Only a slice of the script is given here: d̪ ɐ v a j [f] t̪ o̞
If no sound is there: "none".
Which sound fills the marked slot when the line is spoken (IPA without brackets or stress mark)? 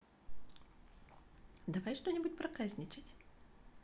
ʂ